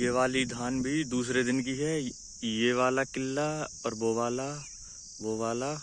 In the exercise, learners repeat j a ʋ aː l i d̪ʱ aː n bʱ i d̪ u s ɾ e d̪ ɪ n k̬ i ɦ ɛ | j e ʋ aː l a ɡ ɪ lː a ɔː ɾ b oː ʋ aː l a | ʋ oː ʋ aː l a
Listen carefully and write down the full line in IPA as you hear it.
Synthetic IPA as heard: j e ʋ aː l i d̪ʱ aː n bʱ i d̪ uː s ɾ e d̪ ɪ n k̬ i ɦ ɛ | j e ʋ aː l a k ɪ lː a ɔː ɾ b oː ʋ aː l a | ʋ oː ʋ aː l a